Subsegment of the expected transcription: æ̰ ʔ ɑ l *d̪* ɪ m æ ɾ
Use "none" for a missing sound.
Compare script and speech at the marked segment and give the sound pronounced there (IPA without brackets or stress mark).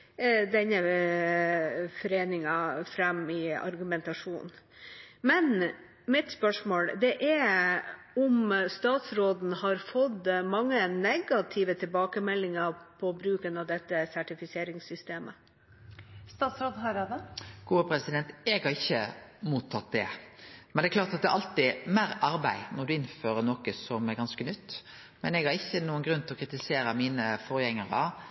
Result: t̪